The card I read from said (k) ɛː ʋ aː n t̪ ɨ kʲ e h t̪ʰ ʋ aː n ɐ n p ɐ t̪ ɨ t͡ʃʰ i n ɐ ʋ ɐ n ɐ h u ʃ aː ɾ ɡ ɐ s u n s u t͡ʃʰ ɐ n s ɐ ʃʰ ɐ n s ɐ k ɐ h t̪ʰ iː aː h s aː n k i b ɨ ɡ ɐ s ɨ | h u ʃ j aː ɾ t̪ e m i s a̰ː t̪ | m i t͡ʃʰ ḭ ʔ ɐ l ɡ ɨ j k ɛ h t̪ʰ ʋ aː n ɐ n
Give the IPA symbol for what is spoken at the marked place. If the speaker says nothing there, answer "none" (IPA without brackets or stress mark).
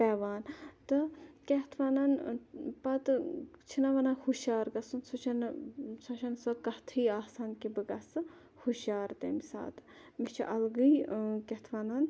p